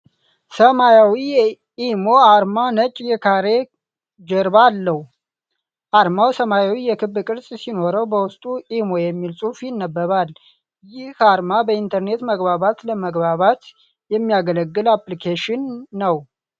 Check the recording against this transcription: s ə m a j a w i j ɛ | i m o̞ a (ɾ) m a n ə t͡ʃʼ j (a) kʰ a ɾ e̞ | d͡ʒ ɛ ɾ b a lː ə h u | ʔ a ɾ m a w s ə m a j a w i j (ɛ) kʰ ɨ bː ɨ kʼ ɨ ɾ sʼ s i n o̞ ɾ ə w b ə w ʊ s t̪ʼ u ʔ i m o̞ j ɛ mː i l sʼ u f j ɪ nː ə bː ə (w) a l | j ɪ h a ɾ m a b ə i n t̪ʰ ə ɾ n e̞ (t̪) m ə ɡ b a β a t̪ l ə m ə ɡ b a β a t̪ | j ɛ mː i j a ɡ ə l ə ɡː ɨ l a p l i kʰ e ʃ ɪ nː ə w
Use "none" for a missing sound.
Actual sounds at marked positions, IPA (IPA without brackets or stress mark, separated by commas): ɾ, ɛ, ɛ, β, t̪